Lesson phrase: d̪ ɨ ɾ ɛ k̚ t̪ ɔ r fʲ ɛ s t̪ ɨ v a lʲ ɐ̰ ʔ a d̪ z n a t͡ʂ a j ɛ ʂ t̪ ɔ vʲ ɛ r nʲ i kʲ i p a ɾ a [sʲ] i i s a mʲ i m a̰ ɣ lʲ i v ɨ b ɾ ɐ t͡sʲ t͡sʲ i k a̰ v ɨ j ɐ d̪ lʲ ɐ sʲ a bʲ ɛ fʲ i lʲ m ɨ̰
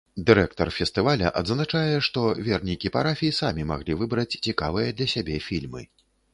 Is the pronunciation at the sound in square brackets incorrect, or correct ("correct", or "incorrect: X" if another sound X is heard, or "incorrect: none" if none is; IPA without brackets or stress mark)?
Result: incorrect: fʲ